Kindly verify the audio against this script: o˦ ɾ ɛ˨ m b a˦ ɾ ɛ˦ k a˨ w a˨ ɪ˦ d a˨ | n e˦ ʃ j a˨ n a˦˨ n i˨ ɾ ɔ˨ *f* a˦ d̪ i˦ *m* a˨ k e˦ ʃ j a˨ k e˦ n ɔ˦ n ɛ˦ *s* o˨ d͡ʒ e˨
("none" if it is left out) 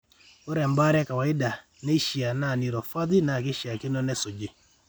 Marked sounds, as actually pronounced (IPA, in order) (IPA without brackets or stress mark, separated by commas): f, n, s